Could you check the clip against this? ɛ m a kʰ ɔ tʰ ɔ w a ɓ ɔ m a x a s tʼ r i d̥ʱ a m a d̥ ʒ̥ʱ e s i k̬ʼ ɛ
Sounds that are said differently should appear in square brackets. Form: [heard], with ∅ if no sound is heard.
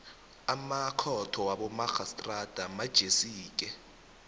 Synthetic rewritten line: [a] m a kʰ ɔ tʰ ɔ w a ɓ ɔ m a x a s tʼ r [a] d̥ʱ a m a d̥ ʒ̥ʱ e s [iː] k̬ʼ ɛ